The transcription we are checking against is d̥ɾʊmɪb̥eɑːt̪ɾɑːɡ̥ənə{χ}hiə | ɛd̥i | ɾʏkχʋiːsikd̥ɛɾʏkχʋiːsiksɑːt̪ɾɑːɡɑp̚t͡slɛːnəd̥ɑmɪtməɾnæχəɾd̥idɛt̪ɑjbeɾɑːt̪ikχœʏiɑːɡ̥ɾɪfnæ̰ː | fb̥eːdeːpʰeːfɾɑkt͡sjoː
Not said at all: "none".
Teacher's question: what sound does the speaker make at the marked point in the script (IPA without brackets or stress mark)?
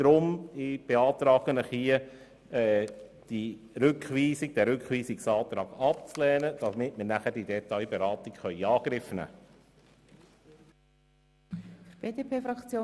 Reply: χ